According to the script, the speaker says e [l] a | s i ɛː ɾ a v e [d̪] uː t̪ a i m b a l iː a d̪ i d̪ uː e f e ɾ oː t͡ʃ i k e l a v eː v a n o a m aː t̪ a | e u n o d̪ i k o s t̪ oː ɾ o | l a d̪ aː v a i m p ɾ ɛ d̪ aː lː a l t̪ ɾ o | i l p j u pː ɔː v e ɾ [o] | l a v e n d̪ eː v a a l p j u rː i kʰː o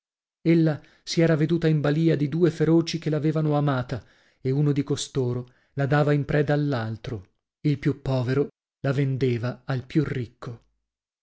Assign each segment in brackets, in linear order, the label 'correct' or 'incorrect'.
incorrect, correct, correct

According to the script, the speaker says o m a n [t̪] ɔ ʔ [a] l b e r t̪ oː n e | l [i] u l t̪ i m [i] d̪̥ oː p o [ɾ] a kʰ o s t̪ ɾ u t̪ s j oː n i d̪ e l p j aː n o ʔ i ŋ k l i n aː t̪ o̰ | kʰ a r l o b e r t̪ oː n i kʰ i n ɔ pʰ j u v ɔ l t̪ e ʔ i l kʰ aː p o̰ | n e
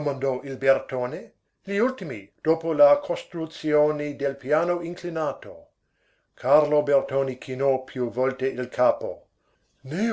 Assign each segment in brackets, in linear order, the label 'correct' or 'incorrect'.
incorrect, incorrect, correct, correct, incorrect

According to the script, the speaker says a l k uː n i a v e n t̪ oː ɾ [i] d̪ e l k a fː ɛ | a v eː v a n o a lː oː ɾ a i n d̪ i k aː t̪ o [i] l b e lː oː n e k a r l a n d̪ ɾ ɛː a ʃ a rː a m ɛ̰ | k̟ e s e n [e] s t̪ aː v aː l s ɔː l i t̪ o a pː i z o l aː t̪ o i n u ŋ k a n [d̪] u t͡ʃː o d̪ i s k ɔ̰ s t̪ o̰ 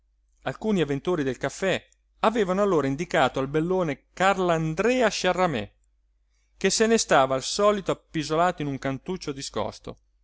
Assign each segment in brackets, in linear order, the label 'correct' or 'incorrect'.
correct, incorrect, correct, incorrect

